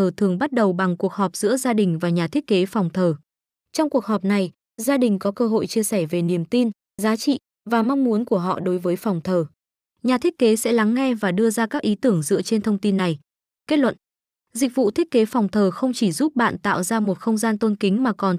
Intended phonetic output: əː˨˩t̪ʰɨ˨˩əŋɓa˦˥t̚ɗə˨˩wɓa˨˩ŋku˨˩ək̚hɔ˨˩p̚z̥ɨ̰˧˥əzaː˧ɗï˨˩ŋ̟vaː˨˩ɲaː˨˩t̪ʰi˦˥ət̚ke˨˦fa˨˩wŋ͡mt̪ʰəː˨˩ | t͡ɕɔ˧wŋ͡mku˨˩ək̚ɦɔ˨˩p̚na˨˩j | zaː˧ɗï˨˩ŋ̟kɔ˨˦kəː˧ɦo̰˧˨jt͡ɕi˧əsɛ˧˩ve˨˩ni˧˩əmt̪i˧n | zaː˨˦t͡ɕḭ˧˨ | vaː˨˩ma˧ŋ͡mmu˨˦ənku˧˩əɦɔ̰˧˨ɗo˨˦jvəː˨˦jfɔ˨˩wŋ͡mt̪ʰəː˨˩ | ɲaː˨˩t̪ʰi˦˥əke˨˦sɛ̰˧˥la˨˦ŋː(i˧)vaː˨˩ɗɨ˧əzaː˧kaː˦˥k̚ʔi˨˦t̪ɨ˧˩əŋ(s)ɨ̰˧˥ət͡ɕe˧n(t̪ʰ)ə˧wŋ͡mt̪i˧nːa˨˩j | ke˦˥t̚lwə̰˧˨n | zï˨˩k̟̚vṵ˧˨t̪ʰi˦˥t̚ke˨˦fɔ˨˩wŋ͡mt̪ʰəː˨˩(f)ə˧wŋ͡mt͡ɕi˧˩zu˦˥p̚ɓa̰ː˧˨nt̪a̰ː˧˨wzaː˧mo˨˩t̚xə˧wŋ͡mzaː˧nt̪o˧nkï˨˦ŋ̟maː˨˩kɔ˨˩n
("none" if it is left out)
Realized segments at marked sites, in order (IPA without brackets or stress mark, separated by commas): ɛ˧, z, t̪ʰ, x